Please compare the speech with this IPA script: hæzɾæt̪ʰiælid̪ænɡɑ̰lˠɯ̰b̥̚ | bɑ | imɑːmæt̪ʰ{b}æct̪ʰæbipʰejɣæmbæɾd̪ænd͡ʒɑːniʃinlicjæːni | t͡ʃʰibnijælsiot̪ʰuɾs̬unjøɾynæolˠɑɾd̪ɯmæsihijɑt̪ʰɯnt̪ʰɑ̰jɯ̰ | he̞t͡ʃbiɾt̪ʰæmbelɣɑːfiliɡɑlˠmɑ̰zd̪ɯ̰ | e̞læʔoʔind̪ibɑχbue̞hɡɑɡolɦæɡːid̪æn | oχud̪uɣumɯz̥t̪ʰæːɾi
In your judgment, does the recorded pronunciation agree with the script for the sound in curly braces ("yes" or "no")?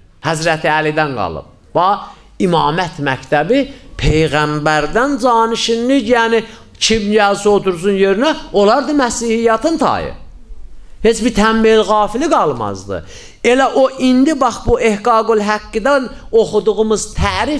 no